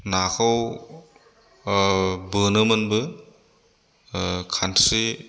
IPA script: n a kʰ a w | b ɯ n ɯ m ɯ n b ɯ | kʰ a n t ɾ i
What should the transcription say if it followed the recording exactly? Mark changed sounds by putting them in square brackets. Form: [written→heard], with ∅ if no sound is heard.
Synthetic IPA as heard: n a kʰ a w | b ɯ n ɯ m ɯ n b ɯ | kʰ a n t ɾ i